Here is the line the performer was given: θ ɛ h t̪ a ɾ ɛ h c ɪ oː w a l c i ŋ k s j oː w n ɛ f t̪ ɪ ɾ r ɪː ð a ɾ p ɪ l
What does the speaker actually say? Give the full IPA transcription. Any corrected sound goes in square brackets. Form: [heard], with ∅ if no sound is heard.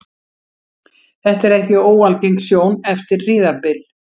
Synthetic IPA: θ ɛ h t̪ [ɛ] ɾ ɛ h c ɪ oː w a l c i ŋ k s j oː w n ɛ f t̪ ɪ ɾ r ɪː ð a ɾ p ɪ l